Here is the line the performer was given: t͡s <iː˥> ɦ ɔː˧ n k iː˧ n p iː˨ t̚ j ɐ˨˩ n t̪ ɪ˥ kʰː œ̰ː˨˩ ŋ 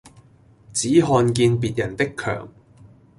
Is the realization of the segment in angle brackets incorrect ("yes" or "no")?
yes